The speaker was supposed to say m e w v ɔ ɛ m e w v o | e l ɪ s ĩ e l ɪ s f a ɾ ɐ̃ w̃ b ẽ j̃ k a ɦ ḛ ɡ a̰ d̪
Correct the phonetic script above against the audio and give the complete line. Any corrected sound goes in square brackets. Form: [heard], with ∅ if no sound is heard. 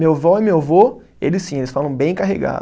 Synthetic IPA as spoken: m e w v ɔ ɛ m e w v o | e l ɪ s ĩ e l ɪ s f a [l] ɐ̃ w̃ b ẽ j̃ k a ɦ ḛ ɡ a̰ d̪